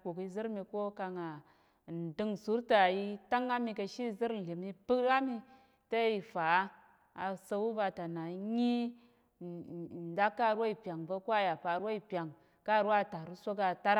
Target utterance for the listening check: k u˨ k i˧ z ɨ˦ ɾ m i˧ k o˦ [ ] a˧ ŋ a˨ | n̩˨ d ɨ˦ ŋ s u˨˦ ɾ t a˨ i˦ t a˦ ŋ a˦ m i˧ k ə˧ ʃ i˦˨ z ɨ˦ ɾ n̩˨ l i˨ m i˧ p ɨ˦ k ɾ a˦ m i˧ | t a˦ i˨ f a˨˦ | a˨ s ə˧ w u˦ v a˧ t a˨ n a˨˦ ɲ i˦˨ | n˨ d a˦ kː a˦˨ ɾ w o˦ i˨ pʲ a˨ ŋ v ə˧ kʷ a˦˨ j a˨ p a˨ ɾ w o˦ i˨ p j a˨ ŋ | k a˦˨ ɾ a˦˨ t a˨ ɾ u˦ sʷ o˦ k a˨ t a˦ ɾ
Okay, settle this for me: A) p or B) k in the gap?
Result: B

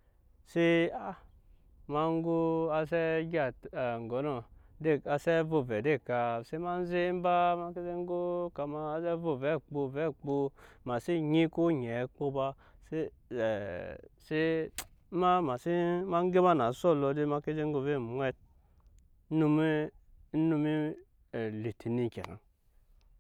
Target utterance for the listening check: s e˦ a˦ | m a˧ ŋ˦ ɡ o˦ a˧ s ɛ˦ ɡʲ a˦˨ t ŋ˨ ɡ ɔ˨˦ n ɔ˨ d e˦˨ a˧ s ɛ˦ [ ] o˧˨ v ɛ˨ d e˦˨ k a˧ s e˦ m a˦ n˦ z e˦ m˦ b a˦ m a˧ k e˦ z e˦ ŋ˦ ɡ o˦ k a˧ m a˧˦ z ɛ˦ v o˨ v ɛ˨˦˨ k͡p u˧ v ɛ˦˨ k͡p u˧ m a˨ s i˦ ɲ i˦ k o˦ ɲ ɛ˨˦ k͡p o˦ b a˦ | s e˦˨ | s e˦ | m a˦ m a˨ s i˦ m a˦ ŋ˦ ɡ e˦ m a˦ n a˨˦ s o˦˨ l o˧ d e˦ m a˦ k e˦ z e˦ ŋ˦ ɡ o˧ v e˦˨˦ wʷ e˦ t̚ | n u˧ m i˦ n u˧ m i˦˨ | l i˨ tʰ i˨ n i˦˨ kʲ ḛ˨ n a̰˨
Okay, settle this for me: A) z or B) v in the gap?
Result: B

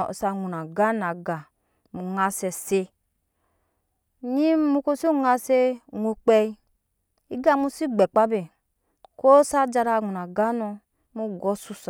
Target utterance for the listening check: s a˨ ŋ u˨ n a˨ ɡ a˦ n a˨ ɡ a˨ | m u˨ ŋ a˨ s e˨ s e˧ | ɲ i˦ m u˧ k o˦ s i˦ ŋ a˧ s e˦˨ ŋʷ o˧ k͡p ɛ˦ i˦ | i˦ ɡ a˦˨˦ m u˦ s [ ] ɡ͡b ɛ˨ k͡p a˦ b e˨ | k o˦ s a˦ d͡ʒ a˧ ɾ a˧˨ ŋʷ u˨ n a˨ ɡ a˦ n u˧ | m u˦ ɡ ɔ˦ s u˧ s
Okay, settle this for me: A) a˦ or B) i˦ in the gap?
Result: B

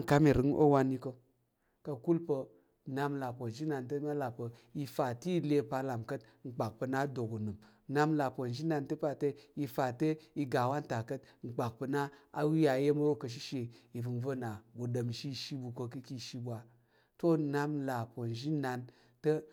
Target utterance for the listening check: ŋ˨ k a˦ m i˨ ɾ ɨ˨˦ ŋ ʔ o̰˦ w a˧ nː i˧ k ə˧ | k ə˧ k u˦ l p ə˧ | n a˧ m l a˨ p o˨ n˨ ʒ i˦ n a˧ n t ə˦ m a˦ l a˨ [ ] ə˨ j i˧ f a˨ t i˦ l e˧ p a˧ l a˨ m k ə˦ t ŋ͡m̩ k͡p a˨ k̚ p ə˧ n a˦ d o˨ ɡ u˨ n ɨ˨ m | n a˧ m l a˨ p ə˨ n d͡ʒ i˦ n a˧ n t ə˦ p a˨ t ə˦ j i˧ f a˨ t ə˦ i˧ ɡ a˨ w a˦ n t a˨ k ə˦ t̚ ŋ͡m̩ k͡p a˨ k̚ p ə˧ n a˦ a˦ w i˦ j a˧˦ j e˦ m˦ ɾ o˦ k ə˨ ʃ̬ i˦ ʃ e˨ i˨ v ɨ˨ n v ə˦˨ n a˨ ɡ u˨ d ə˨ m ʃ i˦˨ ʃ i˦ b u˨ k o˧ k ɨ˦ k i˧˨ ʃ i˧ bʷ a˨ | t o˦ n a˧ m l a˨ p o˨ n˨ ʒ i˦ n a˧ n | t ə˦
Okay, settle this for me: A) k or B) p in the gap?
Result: B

